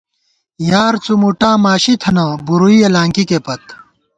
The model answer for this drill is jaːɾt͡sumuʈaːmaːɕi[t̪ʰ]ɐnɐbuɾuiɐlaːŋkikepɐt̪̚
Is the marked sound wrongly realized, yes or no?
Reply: no